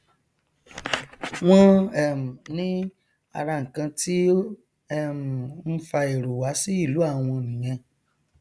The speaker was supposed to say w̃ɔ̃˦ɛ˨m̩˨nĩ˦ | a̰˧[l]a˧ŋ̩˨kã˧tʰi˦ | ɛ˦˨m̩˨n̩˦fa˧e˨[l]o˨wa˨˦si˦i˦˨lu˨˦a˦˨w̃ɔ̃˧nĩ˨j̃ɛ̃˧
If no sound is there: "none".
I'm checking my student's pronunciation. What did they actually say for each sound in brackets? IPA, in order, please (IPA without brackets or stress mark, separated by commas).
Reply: ɾ, ɾ